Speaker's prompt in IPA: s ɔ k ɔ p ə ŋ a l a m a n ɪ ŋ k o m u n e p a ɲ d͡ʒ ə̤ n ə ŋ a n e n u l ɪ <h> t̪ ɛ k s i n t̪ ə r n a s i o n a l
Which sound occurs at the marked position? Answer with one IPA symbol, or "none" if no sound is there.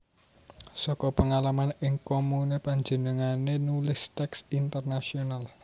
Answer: s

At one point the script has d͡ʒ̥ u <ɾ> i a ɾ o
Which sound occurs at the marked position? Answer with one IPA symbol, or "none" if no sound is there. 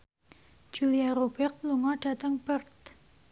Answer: l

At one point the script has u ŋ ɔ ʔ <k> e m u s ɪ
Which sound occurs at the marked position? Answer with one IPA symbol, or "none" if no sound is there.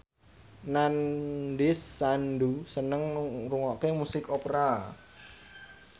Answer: k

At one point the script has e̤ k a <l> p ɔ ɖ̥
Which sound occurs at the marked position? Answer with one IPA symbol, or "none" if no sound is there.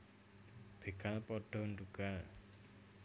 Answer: l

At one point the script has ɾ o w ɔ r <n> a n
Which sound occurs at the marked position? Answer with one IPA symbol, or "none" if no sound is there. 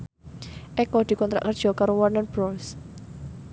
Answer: n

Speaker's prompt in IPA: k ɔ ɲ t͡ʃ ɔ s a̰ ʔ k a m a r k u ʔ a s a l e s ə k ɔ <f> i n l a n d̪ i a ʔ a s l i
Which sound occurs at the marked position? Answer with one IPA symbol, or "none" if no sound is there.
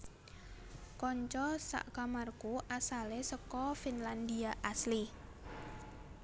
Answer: f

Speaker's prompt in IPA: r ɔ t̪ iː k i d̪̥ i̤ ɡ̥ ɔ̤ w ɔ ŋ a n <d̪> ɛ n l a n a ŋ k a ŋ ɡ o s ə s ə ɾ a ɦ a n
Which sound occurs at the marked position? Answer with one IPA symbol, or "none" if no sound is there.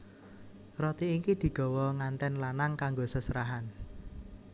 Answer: t̪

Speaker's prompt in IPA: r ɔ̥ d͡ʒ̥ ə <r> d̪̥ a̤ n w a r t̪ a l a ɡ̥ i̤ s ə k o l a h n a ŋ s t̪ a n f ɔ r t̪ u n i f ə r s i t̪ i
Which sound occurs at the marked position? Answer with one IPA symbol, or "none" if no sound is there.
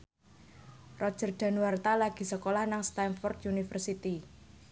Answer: r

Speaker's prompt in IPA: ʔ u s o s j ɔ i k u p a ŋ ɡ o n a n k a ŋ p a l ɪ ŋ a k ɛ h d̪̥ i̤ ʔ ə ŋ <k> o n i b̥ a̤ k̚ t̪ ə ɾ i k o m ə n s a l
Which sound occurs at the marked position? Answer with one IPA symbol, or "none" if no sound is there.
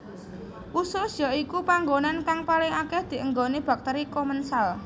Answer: ɡ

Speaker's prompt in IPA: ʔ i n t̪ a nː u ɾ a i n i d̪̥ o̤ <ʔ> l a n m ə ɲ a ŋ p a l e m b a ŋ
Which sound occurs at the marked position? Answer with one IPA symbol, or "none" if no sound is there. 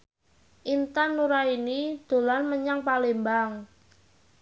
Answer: none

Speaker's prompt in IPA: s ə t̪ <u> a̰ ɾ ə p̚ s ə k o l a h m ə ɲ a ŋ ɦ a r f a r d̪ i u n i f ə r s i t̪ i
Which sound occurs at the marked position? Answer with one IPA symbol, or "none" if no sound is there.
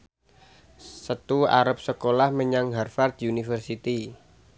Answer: u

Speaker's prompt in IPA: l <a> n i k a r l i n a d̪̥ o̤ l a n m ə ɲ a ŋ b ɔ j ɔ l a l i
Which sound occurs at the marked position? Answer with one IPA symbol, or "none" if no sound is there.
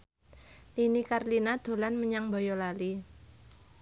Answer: i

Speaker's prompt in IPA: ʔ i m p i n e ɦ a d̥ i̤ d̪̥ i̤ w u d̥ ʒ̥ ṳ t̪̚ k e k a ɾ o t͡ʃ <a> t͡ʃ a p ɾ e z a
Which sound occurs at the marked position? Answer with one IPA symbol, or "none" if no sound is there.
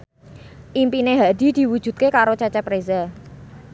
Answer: a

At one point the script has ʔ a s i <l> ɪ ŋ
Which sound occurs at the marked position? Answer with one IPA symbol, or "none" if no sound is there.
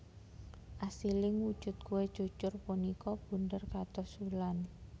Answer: l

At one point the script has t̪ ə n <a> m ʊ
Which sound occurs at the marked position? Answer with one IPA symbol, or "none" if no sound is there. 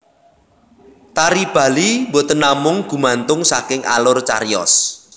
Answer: a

